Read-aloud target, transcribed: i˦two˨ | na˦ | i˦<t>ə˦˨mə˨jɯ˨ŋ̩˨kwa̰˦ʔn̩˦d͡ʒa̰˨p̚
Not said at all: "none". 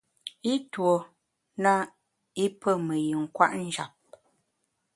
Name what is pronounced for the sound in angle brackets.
p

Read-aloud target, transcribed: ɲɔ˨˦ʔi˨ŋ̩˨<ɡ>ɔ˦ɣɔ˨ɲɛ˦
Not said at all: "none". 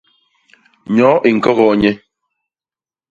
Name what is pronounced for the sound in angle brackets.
k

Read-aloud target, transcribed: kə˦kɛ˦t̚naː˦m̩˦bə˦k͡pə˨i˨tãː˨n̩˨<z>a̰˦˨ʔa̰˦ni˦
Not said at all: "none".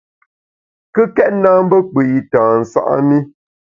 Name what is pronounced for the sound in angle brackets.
s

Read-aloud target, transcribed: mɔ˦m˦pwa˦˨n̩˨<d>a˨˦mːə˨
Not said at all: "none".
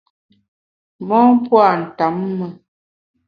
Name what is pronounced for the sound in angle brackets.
t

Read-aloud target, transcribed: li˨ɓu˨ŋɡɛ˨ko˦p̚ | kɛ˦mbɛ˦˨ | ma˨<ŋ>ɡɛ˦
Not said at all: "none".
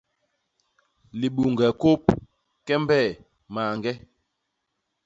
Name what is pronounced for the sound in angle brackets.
ŋ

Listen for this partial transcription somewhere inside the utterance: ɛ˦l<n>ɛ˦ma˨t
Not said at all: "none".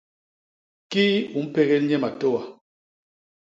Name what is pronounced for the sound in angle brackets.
ɲ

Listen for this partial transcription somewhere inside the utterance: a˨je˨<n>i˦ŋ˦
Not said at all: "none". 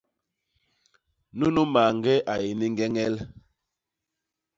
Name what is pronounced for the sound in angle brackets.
n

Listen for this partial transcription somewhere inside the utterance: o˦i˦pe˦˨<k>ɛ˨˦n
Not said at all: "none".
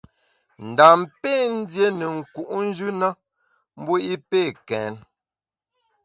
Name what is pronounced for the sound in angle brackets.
k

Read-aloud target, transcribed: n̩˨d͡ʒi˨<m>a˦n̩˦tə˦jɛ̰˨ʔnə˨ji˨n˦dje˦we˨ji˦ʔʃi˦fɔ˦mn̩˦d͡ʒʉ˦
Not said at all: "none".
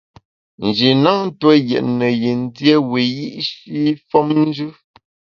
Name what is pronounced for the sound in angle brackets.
n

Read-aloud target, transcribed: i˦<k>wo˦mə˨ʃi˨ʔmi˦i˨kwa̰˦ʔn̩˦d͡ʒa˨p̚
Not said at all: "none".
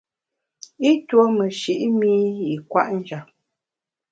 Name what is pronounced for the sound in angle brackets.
t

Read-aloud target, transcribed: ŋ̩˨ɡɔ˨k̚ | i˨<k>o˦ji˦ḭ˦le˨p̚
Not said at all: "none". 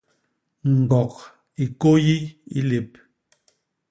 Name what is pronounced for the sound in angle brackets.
k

